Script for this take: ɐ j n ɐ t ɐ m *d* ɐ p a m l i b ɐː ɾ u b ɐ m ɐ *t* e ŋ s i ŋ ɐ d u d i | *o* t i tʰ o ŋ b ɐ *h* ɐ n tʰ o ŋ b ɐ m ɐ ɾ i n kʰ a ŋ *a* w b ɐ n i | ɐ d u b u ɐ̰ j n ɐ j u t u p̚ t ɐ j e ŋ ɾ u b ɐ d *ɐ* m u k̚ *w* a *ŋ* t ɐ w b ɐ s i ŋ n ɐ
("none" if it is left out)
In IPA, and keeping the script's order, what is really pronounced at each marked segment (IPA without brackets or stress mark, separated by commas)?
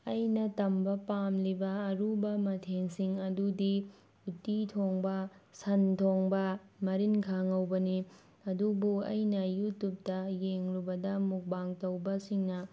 b, tʰ, u, s, ɐ, ɐ, b, ŋ